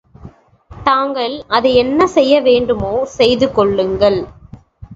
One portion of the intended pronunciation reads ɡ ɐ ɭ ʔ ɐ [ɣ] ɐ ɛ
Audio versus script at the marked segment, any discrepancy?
yes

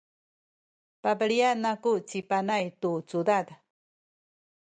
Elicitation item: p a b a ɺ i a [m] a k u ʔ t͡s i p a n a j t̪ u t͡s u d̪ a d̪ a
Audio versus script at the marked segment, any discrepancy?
yes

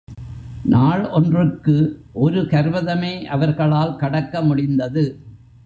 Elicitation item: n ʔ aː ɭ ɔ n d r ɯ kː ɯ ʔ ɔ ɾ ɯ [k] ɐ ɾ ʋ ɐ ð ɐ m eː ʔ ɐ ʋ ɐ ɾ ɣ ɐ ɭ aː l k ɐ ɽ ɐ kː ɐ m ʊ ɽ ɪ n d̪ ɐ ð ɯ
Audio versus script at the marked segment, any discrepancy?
no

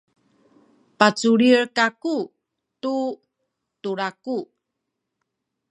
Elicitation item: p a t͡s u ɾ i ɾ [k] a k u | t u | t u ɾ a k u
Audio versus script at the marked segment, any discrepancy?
no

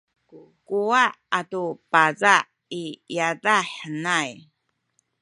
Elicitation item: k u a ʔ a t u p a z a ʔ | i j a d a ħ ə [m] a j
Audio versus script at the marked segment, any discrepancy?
yes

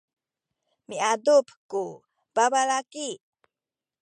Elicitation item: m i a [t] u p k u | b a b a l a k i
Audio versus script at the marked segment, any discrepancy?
yes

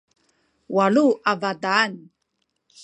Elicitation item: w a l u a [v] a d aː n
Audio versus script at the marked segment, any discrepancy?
no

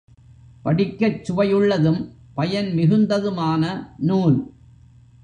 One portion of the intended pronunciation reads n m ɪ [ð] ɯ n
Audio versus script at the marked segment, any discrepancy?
yes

